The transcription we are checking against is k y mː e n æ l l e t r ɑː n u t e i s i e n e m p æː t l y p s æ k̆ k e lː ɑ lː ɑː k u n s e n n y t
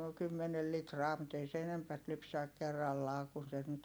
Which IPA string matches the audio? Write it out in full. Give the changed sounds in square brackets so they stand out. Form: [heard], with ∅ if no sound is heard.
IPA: k y mː e n [e] l l [i] t r ɑː [m] u t e i s [e] e n e m p [æ] t l y p s æ k̆ k e [rː] ɑ lː ɑː k u n s e n n y t